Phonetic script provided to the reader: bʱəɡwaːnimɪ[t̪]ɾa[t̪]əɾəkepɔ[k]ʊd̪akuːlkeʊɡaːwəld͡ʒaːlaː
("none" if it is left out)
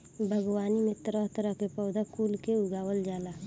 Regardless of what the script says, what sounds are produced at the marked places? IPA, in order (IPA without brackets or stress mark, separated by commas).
t̪, t̪, none